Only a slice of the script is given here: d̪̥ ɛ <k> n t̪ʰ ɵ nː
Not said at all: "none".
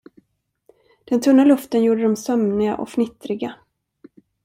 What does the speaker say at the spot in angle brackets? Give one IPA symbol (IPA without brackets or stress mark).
none